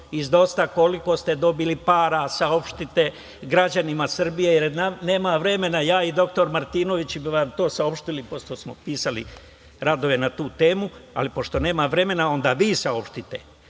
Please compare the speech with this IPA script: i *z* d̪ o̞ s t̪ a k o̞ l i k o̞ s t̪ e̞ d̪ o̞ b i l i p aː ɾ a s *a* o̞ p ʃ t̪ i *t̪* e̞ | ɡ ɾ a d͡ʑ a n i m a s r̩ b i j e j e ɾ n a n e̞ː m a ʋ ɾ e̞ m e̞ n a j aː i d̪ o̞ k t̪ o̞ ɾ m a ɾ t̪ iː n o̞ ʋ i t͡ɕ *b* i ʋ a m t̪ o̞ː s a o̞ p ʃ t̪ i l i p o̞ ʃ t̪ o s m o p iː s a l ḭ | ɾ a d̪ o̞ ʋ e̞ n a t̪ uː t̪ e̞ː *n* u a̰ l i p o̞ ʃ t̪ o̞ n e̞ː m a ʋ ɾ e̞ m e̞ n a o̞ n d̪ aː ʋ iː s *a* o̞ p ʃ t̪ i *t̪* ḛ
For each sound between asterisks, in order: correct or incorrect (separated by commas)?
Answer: correct, correct, correct, correct, incorrect, correct, correct